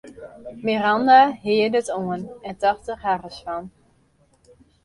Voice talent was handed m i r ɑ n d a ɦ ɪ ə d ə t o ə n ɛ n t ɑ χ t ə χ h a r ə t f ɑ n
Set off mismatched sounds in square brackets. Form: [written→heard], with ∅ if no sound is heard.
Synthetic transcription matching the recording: m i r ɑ n d a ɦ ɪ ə d ə t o ə n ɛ n t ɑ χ t ə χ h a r ə [t→s] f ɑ n